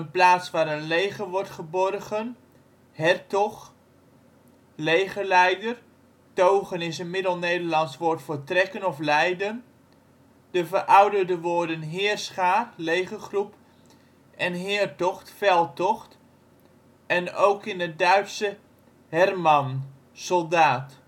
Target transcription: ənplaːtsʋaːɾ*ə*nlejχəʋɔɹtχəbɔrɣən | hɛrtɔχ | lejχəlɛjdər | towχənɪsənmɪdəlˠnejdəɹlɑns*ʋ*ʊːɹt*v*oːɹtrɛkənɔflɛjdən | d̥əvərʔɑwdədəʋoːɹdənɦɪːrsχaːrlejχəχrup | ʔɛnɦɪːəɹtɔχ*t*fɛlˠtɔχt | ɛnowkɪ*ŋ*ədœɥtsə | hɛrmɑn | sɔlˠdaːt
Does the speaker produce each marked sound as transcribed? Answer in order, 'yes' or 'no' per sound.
yes, yes, no, yes, no

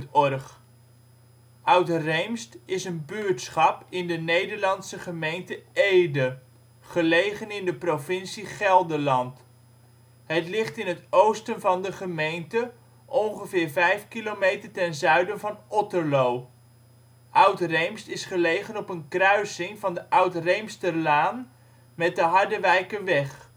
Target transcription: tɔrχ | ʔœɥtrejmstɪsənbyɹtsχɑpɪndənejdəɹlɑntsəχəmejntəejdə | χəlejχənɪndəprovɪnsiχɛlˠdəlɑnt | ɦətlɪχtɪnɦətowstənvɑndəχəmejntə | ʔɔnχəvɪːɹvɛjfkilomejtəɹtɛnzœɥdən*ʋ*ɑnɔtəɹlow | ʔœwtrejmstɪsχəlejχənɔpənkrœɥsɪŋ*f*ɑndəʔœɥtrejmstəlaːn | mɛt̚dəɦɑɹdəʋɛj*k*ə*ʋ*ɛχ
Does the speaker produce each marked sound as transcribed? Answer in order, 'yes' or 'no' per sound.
no, no, yes, yes

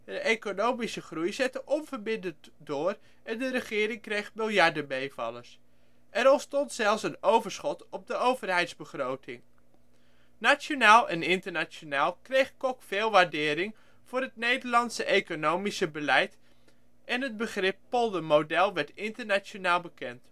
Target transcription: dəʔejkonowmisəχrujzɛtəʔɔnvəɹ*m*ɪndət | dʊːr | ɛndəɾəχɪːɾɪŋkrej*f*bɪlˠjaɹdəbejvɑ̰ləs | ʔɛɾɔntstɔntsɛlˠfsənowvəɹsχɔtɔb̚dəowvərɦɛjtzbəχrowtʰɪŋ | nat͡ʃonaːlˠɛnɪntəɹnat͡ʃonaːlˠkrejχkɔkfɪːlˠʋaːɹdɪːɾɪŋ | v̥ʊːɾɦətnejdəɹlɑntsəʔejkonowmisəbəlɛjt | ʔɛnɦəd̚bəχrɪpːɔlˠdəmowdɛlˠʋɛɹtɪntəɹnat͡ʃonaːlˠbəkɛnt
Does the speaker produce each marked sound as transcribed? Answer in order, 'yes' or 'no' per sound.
no, no

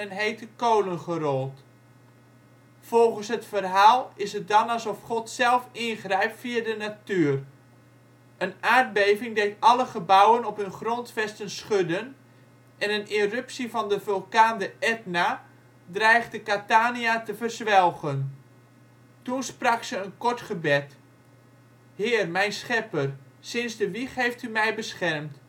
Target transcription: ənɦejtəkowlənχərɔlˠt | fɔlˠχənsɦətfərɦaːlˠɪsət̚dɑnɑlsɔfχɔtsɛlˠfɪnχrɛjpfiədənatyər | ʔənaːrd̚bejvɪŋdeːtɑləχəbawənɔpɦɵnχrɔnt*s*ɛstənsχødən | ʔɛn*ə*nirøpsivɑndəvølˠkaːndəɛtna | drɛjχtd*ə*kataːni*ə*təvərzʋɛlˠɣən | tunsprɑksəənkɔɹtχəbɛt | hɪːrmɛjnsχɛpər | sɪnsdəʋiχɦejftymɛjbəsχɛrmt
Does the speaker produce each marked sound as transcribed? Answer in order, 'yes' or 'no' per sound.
no, yes, yes, no

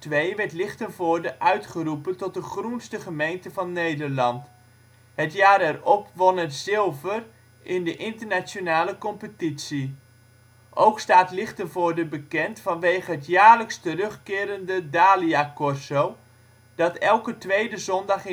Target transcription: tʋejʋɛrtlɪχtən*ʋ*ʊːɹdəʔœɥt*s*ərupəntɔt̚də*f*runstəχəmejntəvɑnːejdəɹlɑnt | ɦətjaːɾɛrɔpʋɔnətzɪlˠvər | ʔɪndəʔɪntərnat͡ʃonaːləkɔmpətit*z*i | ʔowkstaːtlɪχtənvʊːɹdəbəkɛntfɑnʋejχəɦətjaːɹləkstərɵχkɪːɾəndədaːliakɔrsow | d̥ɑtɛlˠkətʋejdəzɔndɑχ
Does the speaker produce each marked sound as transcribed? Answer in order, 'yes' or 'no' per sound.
no, no, no, no

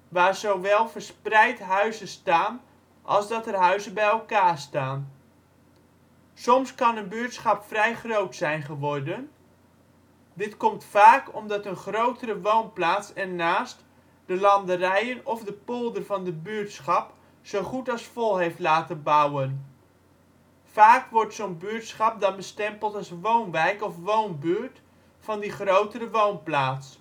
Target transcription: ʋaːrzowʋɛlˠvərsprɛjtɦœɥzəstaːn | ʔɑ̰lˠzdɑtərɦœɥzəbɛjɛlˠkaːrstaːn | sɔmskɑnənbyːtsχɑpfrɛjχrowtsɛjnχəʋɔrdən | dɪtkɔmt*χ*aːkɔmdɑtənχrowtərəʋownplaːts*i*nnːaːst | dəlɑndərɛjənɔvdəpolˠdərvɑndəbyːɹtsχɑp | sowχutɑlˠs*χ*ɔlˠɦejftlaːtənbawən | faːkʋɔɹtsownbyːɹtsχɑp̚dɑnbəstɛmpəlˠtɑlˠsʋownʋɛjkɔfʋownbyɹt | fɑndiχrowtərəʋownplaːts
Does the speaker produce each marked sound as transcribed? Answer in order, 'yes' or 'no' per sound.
no, no, no

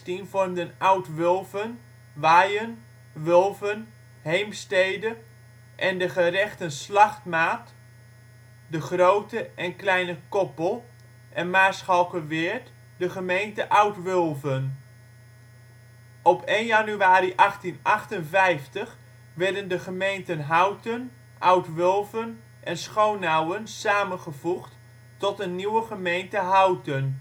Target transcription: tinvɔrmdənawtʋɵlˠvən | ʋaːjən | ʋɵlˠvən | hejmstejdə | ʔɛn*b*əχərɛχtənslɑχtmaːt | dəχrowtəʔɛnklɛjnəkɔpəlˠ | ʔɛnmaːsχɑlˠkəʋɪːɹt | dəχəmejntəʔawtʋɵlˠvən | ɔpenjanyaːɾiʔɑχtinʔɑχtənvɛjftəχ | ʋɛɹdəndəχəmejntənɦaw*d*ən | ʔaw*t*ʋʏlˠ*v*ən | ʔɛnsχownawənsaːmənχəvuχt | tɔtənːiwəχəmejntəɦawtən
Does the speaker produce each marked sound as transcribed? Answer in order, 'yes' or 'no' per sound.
no, no, yes, yes

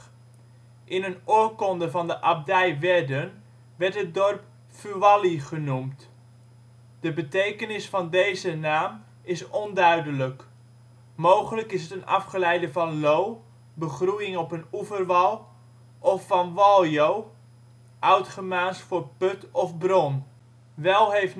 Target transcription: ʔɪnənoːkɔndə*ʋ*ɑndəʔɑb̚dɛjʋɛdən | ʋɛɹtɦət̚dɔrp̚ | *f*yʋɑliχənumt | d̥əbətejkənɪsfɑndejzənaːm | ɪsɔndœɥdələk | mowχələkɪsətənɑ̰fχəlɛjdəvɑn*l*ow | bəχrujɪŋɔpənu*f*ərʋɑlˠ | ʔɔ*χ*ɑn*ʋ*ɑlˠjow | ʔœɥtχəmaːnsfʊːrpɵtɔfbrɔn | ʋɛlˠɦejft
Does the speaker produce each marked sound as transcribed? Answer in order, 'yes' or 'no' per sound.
no, yes, yes, no, no, yes

